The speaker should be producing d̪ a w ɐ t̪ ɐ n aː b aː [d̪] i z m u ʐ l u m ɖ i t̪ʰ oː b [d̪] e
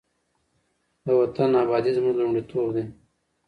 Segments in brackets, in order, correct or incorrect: correct, correct

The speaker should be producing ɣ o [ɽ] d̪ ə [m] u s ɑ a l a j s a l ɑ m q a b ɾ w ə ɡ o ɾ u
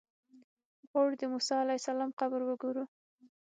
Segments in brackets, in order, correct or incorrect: correct, correct

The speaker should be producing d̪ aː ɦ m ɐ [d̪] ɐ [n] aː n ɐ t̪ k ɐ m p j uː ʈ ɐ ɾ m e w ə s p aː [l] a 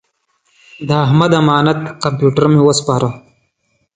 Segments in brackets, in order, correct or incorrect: correct, incorrect, incorrect

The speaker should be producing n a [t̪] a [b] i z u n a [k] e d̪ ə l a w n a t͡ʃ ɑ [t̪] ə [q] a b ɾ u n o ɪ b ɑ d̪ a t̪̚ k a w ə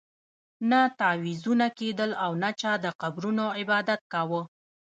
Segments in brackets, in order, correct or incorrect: correct, incorrect, correct, incorrect, correct

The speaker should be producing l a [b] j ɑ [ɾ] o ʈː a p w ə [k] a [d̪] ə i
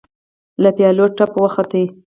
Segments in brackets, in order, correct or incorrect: incorrect, incorrect, incorrect, incorrect

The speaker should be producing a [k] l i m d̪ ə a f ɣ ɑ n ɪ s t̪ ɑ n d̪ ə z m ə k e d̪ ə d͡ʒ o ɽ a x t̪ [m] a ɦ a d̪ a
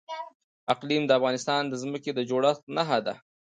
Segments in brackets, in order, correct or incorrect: incorrect, incorrect

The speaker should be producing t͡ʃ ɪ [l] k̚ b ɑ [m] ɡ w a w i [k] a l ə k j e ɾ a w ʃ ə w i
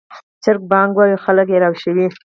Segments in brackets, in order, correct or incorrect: incorrect, incorrect, incorrect

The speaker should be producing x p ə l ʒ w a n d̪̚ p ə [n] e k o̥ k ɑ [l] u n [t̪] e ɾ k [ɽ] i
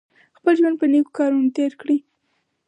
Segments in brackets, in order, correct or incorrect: correct, incorrect, correct, correct

